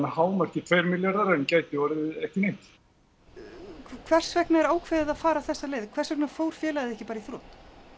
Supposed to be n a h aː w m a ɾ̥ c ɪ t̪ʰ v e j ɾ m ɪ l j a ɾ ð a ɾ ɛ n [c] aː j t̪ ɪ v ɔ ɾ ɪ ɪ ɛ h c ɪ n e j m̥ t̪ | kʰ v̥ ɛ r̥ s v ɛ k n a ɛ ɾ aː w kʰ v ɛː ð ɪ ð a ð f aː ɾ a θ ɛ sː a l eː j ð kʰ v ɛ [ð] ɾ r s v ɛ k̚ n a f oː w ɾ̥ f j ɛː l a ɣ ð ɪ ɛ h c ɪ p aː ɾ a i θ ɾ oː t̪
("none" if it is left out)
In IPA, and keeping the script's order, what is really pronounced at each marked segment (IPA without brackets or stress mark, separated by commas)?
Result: c, none